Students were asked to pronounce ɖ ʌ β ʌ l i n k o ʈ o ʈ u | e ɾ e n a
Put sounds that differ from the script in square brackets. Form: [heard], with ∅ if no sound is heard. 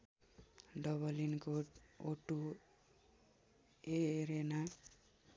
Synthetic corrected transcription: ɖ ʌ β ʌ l i n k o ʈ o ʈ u | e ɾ e n a